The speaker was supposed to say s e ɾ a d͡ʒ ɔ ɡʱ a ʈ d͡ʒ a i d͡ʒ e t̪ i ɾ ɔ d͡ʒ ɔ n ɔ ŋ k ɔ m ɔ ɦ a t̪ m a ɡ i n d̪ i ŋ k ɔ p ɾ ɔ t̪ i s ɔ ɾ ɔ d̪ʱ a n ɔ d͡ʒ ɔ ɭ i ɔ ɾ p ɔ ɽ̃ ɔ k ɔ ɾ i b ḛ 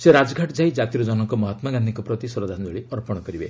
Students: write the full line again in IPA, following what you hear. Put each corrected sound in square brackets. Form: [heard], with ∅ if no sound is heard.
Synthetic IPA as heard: s e ɾ a d͡ʒ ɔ ɡʱ a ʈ d͡ʒ a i d͡ʒ [a] t̪ i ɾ ɔ d͡ʒ ɔ n ɔ ŋ k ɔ m ɔ ɦ a t̪ m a ɡ [a] n d̪ i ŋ k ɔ p ɾ ɔ t̪ i s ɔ ɾ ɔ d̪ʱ a n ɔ d͡ʒ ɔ ɭ i ɔ ɾ p ɔ ɽ̃ ɔ k ɔ ɾ i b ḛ

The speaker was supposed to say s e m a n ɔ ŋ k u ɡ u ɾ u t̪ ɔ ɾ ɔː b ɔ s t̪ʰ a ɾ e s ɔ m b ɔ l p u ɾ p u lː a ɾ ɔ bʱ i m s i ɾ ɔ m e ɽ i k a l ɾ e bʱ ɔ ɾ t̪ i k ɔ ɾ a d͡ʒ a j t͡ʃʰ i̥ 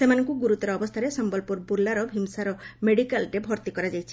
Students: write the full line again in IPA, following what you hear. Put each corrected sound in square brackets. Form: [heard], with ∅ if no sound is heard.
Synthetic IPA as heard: s e m a n ɔ ŋ k u ɡ u ɾ u t̪ ɔ ɾ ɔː b ɔ s t̪ʰ a ɾ e s ɔ m b ɔ l p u ɾ [b] u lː a ɾ ɔ bʱ i m s [a] ɾ ɔ m e ɽ i k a l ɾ e bʱ ɔ ɾ t̪ i k ɔ ɾ a d͡ʒ a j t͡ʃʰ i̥

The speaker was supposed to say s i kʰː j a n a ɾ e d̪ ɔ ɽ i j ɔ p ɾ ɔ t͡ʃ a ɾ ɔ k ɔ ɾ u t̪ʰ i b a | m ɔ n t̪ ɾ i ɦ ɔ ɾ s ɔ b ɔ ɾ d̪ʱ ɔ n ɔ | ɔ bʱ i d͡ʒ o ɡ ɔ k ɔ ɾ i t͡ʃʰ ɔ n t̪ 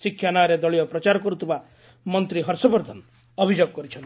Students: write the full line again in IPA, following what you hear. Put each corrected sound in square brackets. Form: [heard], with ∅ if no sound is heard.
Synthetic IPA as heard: s i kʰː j a n a ɾ e d̪ ɔ [ɭ] i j ɔ p ɾ ɔ t͡ʃ a ɾ ɔ k ɔ ɾ u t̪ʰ i b a | m ɔ n t̪ ɾ i ɦ ɔ ɾ s ɔ b ɔ ɾ d̪ʱ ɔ n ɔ | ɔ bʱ i d͡ʒ o ɡ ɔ k ɔ ɾ i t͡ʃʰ ɔ n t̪

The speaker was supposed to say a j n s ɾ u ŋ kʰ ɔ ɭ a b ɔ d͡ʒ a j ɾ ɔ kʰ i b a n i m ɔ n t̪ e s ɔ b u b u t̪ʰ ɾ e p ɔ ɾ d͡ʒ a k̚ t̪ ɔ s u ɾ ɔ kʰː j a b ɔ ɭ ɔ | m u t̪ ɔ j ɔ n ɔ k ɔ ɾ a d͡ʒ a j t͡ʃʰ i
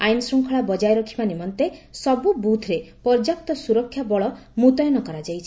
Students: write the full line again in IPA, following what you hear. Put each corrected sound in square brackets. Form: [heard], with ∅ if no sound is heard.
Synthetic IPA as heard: a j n s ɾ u ŋ kʰ ɔ ɭ a b ɔ d͡ʒ a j ɾ ɔ kʰ i b a n i m ɔ n t̪ e s ɔ b u b u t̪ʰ ɾ e p ɔ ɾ d͡ʒ a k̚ t̪ ɔ s u ɾ ɔ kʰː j a b ɔ ɭ ɔ | m u t̪ ɔ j ɔ n ɔ k ɔ ɾ a d͡ʒ a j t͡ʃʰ i

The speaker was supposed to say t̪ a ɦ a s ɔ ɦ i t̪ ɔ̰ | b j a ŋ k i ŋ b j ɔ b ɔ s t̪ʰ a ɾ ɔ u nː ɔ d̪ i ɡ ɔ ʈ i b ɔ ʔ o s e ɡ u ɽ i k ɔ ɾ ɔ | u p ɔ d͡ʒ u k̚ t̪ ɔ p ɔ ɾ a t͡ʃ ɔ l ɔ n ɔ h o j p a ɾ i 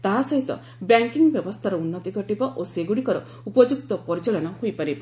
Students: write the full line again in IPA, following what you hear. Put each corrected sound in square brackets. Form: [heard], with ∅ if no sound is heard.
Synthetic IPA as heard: t̪ a ɦ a s ɔ ɦ i t̪ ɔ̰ | b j a ŋ k i ŋ b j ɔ b ɔ s t̪ʰ a ɾ ɔ u nː ɔ [t̪] i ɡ ɔ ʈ i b ɔ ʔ o s e ɡ u ɽ i k ɔ ɾ ɔ | u p ɔ d͡ʒ u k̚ t̪ ɔ p ɔ ɾ [i] t͡ʃ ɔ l ɔ n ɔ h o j p a ɾ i

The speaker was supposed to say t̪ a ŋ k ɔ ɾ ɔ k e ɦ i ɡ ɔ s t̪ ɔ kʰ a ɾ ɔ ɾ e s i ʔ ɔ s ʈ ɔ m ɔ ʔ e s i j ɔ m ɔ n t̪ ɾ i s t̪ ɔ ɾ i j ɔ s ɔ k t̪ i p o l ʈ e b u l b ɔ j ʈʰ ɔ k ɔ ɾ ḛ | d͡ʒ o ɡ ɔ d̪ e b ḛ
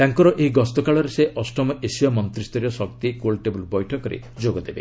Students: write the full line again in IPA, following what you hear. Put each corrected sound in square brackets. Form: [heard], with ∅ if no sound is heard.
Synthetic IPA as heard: t̪ a ŋ k ɔ ɾ ɔ [ʔ] e ɦ i ɡ ɔ s t̪ ɔ [k] a [ɭ] ɔ ɾ e s [e] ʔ ɔ s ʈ ɔ m ɔ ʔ e s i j ɔ m ɔ n t̪ ɾ i s t̪ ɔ ɾ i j ɔ s ɔ k t̪ i [k] o l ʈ e b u l b ɔ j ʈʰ ɔ k ɔ ɾ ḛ | d͡ʒ o ɡ ɔ d̪ e b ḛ

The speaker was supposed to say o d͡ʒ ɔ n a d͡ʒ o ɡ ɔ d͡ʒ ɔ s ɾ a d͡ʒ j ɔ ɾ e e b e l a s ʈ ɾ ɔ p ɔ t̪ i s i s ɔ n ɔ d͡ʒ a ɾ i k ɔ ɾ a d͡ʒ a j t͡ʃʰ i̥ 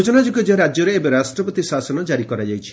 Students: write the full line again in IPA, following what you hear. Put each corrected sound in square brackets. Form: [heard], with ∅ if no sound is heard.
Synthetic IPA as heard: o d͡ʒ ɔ n a d͡ʒ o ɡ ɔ d͡ʒ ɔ [∅] ɾ a d͡ʒ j ɔ ɾ e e b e [ɾ] a s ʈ ɾ ɔ p ɔ t̪ i s [a] s ɔ n ɔ d͡ʒ a ɾ i k ɔ ɾ a d͡ʒ a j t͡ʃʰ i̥

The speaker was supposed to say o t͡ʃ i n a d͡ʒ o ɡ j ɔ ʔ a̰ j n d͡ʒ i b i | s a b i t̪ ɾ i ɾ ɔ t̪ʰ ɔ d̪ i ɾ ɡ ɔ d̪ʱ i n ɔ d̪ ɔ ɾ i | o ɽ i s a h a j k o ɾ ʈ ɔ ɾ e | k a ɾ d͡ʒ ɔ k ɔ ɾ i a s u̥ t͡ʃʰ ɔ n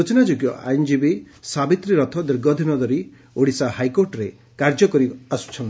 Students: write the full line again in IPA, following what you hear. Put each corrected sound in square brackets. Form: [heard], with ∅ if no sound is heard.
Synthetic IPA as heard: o t͡ʃ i n a d͡ʒ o ɡ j ɔ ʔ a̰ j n d͡ʒ i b i | s a b i t̪ ɾ i ɾ ɔ t̪ʰ ɔ d̪ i ɾ ɡ ɔ d̪ʱ i n ɔ d̪ ɔ ɾ i | o ɽ i s a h a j k o ɾ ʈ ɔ ɾ e | k a ɾ d͡ʒ ɔ k ɔ ɾ i a s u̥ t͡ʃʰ ɔ n

